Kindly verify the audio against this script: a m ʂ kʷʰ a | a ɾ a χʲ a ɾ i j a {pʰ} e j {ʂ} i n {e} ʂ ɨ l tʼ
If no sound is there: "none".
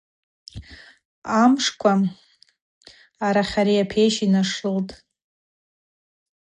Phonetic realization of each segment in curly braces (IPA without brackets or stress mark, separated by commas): pʰ, ʃ, a